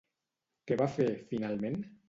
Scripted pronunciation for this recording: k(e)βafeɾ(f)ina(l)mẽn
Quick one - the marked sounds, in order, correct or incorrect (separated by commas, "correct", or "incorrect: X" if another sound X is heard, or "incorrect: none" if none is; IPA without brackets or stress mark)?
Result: correct, correct, correct